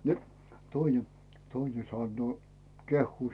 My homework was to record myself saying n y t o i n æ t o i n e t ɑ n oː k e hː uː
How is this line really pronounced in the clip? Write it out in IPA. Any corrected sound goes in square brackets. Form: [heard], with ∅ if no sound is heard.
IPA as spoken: n [i] t o i n [e] t o i n e [s] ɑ [nː] oː k e hː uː